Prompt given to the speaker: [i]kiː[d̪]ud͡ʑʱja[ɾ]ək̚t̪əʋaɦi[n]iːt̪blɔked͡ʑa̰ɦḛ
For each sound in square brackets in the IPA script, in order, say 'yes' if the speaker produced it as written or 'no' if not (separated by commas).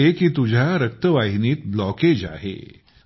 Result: no, no, yes, yes